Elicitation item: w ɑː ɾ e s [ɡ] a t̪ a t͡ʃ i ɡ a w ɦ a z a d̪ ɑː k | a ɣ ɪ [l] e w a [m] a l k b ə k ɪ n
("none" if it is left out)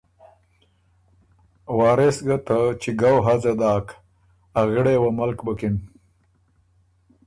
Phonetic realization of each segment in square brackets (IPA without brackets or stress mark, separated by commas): ɡ, ɽ, m